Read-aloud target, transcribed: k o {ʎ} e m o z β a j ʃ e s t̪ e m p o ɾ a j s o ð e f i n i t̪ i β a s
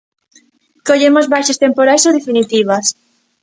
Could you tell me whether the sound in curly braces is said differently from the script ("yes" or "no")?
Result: no